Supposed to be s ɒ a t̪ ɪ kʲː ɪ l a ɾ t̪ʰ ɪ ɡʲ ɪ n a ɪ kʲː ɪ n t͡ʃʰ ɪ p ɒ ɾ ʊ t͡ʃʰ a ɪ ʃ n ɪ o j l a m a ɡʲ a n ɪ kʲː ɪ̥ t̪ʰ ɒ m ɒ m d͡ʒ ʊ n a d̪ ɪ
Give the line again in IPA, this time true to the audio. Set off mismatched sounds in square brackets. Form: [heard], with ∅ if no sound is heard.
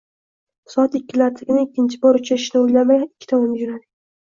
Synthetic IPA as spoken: s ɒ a t̪ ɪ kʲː ɪ l a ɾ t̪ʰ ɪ ɡʲ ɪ n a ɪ kʲː ɪ n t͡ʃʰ ɪ [b] ɒ ɾ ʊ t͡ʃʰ a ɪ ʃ n ɪ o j l a m a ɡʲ a n ɪ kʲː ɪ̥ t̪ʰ ɒ m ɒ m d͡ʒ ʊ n a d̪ ɪ